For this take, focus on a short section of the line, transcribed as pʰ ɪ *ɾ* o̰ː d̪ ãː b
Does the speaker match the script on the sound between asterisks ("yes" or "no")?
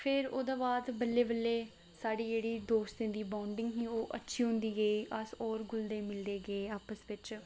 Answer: yes